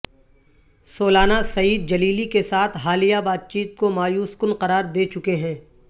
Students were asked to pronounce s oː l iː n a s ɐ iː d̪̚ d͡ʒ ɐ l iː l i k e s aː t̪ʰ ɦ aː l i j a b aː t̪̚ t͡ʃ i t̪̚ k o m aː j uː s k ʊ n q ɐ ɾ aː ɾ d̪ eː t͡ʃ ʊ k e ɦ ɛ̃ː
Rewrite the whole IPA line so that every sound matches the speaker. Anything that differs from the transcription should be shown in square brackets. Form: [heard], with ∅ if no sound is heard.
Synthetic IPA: s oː l [aː] n a s ɐ iː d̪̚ d͡ʒ ɐ l iː l i k e s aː t̪ʰ ɦ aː l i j a b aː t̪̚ t͡ʃ [iː] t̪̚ k o m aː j uː s k ʊ n q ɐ ɾ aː ɾ d̪ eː t͡ʃ ʊ k e ɦ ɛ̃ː